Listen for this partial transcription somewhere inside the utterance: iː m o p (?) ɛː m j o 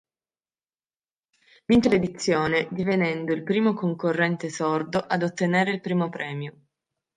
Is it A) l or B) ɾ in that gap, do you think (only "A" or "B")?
B